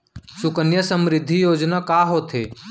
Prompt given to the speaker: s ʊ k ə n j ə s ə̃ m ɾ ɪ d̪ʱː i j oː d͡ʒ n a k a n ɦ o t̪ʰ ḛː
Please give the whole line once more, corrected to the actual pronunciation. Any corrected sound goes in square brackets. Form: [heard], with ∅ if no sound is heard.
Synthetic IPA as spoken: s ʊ k ə n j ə s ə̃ m ɾ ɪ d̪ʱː i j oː d͡ʒ n a k a [∅] ɦ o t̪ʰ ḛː